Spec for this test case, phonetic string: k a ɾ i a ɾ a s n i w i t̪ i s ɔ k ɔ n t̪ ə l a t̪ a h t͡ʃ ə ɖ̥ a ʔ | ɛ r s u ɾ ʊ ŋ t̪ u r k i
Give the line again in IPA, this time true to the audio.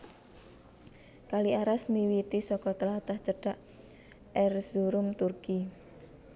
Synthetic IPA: k a l i a ɾ a s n i w i t̪ i s ɔ k ɔ t̪ ə l a t̪ a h t͡ʃ ə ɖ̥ a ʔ | ɛ r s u ɾ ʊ m t̪ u r k i

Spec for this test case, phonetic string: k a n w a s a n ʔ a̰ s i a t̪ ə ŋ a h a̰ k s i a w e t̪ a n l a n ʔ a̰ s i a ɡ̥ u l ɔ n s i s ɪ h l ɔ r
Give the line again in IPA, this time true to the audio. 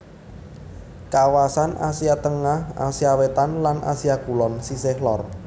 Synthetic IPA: k a w a s a n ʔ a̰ s i a t̪ ə ŋ a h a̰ s i a w e t̪ a n l a n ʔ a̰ s i a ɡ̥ u l ɔ n s i s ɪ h l ɔ r

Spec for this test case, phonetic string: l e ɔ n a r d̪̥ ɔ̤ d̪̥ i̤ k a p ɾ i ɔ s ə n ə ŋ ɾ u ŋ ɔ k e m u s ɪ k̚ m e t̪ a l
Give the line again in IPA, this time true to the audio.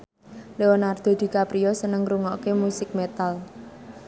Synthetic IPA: l e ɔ n a r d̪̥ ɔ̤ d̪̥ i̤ k a p ɾ i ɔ s ə n ə ŋ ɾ u ŋ ɔ k e m u s ɪ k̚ m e t̪ a l

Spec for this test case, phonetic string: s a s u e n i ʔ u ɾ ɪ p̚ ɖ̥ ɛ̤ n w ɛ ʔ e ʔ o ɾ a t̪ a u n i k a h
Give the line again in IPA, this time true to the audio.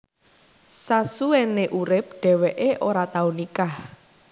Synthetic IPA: s a s u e n e ʔ u ɾ ɪ p̚ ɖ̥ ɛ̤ w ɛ ʔ e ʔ o ɾ a t̪ a u n i k a h

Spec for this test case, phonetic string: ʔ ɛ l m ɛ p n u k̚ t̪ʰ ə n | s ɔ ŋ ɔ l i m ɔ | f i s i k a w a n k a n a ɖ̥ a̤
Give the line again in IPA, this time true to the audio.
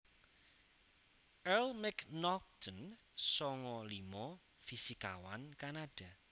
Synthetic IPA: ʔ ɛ l m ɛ k n ɔ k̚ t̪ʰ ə n | s ɔ ŋ ɔ l i m ɔ | f i s i k a w a n k a n a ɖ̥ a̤

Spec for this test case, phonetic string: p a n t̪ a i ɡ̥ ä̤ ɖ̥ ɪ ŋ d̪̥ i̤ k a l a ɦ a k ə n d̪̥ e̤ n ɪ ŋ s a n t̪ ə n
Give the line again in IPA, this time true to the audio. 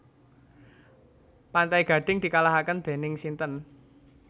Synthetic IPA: p a n t̪ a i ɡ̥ ä̤ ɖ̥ ɪ ŋ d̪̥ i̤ k a l a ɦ a k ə n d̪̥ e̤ n ɪ ŋ s i n t̪ ə n

